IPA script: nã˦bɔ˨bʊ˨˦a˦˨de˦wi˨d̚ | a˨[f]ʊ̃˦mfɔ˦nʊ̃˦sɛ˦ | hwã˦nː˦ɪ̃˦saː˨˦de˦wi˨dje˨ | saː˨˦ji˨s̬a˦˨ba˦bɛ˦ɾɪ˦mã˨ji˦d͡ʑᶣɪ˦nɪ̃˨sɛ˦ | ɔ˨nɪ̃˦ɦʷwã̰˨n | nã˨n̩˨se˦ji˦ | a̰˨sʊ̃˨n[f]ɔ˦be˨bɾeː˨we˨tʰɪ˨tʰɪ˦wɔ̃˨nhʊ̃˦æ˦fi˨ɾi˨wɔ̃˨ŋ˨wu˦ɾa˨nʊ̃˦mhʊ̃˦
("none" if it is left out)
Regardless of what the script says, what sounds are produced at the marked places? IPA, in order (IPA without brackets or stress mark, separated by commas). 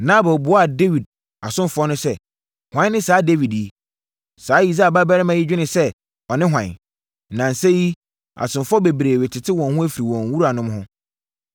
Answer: s, f